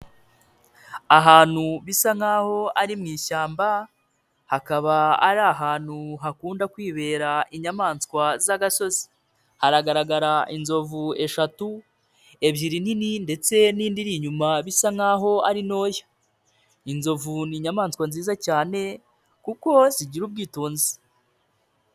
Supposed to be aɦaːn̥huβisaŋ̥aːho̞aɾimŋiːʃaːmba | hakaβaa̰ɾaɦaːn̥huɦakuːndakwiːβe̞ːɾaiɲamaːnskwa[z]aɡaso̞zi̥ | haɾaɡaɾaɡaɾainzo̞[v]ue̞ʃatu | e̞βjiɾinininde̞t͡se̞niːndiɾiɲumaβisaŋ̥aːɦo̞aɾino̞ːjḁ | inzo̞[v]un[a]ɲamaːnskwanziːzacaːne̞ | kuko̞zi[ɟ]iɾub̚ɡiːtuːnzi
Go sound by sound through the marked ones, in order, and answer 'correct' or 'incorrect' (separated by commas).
correct, correct, correct, incorrect, correct